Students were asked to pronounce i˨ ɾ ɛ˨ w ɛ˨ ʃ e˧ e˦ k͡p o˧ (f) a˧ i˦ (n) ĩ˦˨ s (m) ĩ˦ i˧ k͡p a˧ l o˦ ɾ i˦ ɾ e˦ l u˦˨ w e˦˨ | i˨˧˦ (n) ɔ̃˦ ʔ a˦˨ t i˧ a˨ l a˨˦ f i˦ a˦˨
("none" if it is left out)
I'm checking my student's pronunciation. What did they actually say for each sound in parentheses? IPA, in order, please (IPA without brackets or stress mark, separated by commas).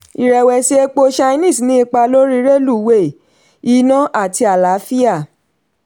ʃ, n, n, n